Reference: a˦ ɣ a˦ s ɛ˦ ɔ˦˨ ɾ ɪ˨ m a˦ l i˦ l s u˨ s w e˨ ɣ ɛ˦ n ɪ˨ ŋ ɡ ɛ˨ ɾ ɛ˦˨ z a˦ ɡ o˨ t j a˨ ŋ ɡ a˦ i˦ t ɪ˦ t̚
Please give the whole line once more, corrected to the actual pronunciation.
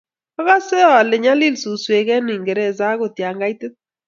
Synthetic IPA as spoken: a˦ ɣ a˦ s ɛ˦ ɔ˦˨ l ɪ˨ ɲ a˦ l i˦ l s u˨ s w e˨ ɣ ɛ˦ n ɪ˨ ŋ ɡ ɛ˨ ɾ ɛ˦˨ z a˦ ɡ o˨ t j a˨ ŋ ɡ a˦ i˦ t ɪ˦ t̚